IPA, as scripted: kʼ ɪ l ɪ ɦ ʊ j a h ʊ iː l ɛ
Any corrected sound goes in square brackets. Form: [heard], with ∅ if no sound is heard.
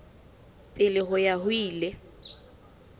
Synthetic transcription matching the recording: [pʼ] ɪ l ɪ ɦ ʊ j a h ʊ iː l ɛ